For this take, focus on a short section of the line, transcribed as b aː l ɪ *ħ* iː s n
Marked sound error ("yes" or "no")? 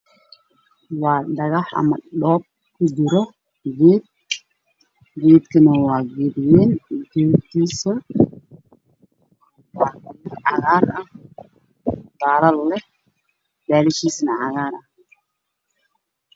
yes